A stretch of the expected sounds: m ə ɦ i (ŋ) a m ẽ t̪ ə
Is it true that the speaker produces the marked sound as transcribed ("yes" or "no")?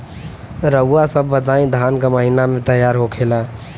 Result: no